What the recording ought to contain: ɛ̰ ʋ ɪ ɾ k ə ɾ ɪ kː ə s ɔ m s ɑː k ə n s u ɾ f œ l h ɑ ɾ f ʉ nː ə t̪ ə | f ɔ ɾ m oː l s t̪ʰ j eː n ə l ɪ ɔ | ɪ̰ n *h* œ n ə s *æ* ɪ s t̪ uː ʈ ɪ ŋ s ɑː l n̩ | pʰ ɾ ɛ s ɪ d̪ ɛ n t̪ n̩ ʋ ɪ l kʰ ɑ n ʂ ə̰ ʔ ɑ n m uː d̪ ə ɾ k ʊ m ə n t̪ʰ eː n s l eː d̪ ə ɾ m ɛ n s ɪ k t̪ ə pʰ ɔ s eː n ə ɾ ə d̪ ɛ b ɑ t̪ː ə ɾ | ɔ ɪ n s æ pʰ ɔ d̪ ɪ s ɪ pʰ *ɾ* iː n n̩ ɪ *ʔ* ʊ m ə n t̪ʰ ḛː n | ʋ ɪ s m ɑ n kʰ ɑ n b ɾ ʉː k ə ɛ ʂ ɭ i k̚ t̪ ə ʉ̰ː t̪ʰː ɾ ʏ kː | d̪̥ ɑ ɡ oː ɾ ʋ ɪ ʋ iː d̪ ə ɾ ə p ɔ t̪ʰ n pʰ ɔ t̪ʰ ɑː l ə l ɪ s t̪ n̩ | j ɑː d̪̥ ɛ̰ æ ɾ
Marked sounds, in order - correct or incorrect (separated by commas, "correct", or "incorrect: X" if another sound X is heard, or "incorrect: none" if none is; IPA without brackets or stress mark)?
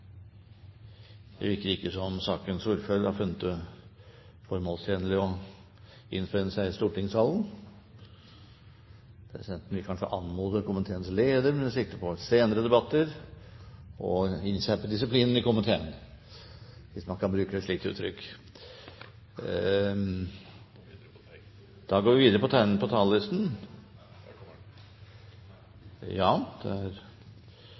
incorrect: f, correct, incorrect: l, incorrect: k